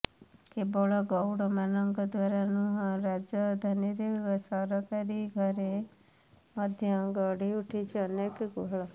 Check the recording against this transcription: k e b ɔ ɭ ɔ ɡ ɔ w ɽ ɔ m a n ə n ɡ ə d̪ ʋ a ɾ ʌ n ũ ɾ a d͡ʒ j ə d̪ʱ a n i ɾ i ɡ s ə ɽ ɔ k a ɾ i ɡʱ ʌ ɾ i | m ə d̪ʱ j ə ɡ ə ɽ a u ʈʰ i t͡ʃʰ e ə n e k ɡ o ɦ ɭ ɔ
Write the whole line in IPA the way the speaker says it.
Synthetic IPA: k e b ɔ ɭ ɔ ɡ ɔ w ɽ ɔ m a n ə ŋ ɡ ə d̪ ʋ a ɾ a n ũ ɾ a d͡ʒ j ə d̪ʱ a n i ɾ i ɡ s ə ɾ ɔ k a ɾ i ɡʱ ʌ ɾ e | m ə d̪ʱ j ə ɡ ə ɽ i u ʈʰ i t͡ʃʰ e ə n e k ɡ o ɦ ɭ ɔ